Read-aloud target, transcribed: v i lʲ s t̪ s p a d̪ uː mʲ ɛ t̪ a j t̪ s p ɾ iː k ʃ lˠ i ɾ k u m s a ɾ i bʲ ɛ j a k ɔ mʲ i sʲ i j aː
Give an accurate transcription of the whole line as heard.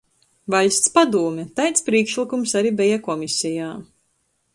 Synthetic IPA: v a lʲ s t̪ s p a d̪ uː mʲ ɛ t̪ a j t̪ s p ɾ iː k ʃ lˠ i k u m s a ɾ i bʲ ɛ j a k ɔ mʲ i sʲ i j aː